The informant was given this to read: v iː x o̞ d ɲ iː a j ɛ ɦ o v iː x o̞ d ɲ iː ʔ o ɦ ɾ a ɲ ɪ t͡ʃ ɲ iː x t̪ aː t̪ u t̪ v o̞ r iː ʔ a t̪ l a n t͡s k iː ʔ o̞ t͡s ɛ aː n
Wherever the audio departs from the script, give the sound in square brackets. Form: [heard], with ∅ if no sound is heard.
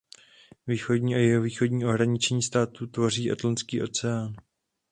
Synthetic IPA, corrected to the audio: v iː x o̞ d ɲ iː a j ɛ ɦ o v iː x o̞ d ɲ iː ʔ o ɦ ɾ a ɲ ɪ t͡ʃ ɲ iː [s] t̪ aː t̪ u t̪ v o̞ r iː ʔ a t̪ l a n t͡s k iː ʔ o̞ t͡s ɛ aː n

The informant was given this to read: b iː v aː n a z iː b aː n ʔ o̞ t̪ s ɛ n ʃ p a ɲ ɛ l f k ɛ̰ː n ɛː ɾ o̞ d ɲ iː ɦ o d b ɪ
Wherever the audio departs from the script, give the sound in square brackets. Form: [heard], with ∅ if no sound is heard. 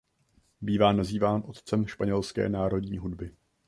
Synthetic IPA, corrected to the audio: b iː v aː n a z iː [v] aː n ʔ o̞ t̪ [t͡s] ɛ [m] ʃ p a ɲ ɛ l [s] k ɛ̰ː n [aː] ɾ o̞ d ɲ iː ɦ [u] d b ɪ

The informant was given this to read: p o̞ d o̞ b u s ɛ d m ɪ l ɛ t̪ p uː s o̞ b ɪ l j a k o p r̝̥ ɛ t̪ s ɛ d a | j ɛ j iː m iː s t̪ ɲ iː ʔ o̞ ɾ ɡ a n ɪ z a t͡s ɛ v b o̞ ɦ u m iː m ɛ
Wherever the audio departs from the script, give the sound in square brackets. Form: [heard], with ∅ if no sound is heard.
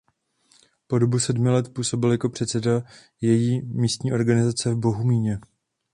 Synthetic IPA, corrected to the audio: p o̞ d o̞ b u s ɛ d m ɪ l ɛ t̪ p uː s o̞ b ɪ l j a k o p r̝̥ ɛ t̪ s ɛ d a | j ɛ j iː m iː s t̪ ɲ iː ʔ o̞ ɾ ɡ a n ɪ z a t͡s ɛ v b o̞ ɦ u m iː [ɲ] ɛ

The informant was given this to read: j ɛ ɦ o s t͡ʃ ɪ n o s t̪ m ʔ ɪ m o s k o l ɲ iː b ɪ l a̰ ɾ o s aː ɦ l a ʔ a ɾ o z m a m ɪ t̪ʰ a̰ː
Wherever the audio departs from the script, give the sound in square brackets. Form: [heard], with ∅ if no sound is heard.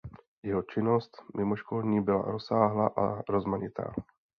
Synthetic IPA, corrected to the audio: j ɛ ɦ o [∅] t͡ʃ ɪ n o s t̪ m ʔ ɪ m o [ʃ] k o l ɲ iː b ɪ l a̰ ɾ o s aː ɦ l a ʔ a ɾ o z m a [ɲ] ɪ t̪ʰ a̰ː

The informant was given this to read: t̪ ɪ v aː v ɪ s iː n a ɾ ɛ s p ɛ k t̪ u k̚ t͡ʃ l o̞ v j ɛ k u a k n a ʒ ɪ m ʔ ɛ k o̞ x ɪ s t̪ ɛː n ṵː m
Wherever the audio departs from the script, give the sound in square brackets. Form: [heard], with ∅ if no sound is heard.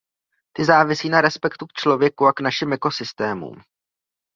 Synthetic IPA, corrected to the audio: t̪ ɪ [z] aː v ɪ s iː n a ɾ ɛ s p ɛ k t̪ u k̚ t͡ʃ l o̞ v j ɛ k u a k n a [ʃ] ɪ m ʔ ɛ k o̞ [s] ɪ s t̪ ɛː [m] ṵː m

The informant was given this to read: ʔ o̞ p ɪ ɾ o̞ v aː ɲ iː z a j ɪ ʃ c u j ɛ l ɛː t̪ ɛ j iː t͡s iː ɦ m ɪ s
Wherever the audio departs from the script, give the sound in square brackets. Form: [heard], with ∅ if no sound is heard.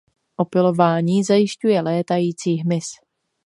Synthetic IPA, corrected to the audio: ʔ o̞ p ɪ [l] o̞ v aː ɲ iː z a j ɪ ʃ c u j ɛ l ɛː t̪ [a] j iː t͡s iː ɦ m ɪ s

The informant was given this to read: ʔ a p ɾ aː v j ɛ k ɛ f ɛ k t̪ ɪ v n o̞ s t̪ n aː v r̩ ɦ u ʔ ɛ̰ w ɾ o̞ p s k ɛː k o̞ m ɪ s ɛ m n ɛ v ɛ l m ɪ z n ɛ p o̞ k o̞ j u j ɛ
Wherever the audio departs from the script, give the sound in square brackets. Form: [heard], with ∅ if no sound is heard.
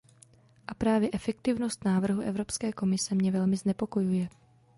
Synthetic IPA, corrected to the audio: ʔ a p ɾ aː v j ɛ [ʔ] ɛ f ɛ k t̪ ɪ v n o̞ s t̪ n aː v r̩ ɦ u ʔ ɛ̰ [v] ɾ o̞ p s k ɛː k o̞ m ɪ s ɛ m [ɲ] ɛ v ɛ l m ɪ z n ɛ p o̞ k o̞ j u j ɛ

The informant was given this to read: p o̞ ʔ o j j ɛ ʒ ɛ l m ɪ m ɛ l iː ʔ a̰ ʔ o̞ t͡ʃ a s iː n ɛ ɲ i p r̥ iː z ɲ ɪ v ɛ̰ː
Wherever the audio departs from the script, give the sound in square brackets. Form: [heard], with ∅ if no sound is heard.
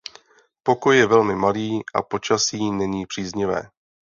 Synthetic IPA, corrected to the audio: p o̞ [k] o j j ɛ [v] ɛ l m ɪ m [a] l iː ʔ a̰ [p] o̞ t͡ʃ a s iː n ɛ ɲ [iː] p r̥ iː z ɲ ɪ v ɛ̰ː

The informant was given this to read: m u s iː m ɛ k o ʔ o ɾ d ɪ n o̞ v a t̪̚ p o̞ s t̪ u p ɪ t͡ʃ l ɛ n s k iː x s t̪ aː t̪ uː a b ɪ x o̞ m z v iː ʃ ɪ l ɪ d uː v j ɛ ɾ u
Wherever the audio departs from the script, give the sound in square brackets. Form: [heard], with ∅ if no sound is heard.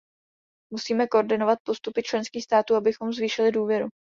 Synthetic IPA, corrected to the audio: m u s iː m ɛ k o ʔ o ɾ d ɪ n o̞ v a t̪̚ p o̞ s t̪ u p ɪ t͡ʃ l ɛ n s k iː x s t̪ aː t̪ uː a b ɪ x o̞ m z v iː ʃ ɪ l ɪ d uː v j ɛ ɾ u

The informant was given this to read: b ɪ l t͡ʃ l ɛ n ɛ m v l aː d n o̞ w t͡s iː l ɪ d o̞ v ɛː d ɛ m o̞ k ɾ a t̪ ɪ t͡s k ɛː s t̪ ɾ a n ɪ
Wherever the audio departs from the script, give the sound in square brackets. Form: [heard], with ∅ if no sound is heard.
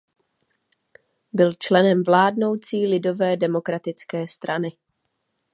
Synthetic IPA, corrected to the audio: b ɪ l t͡ʃ l ɛ n ɛ m v l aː d n o̞ w t͡s iː l ɪ d o̞ v ɛː d ɛ m o̞ k ɾ a t̪ ɪ t͡s k ɛː s t̪ ɾ a n ɪ

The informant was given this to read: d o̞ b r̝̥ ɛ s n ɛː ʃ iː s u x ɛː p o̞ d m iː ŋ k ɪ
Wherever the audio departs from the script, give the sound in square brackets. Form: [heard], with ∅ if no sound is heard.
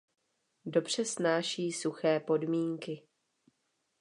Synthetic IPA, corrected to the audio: d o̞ b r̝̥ ɛ s n [aː] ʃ iː s u x ɛː p o̞ d m iː ŋ k ɪ

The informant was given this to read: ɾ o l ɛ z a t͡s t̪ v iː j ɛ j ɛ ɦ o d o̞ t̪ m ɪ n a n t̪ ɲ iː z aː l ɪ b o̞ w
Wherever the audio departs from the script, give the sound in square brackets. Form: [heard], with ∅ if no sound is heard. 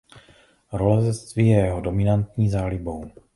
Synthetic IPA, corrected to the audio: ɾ o l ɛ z [ɛ] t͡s t̪ v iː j ɛ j ɛ ɦ o d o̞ [∅] m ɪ n a n t̪ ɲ iː z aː l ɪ b o̞ w

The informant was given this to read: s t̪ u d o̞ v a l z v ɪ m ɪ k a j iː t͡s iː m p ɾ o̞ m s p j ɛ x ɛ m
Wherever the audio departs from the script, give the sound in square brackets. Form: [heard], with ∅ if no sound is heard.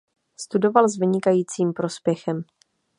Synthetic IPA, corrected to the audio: s t̪ u d o̞ v a l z v ɪ [ɲ] ɪ k a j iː t͡s iː m p ɾ o̞ [∅] s p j ɛ x ɛ m

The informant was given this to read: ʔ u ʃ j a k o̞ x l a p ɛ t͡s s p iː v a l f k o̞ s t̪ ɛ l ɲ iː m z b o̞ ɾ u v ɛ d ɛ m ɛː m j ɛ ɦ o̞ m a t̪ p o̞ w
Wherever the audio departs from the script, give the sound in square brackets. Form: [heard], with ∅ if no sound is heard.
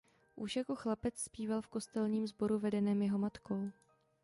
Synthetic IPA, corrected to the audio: ʔ u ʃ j a k o̞ x l a p ɛ t͡s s p iː v a l f k o̞ s t̪ ɛ l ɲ iː m z b o̞ ɾ u v ɛ d ɛ [n] ɛː m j ɛ ɦ o̞ m a t̪ [k] o̞ w

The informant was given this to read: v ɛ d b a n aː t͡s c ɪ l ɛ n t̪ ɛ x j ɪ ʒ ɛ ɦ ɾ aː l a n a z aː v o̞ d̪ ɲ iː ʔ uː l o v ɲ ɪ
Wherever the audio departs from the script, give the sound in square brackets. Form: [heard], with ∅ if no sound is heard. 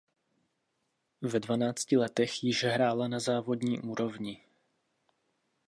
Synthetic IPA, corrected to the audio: v ɛ d [v] a n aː t͡s c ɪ l ɛ [∅] t̪ ɛ x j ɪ ʒ ɛ ɦ ɾ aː l a n a z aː v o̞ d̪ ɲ iː ʔ uː [ɾ] o v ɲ ɪ

